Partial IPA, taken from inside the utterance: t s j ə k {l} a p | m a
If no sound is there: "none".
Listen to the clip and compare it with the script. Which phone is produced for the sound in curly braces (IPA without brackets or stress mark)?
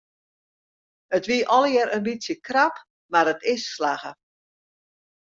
r